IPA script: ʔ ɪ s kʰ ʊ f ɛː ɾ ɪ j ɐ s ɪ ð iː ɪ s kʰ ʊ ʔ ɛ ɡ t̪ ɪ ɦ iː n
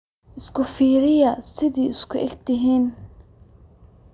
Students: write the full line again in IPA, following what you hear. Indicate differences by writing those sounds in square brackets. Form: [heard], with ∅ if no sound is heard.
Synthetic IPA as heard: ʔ ɪ s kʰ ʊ f [iː] ɾ ɪ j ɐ s ɪ ð iː ɪ s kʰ ʊ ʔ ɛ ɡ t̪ ɪ ɦ iː n